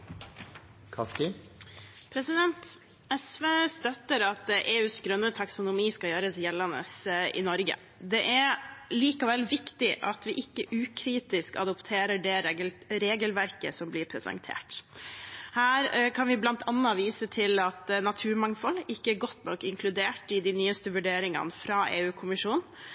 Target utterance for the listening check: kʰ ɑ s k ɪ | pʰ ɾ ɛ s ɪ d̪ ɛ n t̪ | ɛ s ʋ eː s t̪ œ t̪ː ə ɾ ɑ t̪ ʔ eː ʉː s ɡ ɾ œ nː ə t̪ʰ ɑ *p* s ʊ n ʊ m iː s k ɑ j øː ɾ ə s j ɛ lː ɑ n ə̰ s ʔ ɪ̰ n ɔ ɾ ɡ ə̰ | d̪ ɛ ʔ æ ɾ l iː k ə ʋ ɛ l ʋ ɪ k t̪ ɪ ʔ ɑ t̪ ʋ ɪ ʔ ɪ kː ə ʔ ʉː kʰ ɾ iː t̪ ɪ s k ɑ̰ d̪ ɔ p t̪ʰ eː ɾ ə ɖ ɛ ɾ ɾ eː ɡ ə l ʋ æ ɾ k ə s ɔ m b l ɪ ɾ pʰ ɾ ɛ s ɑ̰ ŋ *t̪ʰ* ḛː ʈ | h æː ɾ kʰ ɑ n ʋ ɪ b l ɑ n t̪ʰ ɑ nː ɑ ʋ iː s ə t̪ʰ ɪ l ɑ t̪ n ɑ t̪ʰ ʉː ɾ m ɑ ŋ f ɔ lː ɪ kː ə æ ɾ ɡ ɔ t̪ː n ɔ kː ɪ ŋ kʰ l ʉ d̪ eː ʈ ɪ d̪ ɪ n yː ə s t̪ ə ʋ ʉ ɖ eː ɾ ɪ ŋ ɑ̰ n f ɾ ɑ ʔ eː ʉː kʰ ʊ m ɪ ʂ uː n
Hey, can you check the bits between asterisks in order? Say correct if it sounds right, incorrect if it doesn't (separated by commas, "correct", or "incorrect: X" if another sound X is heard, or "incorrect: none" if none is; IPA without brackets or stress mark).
incorrect: k, correct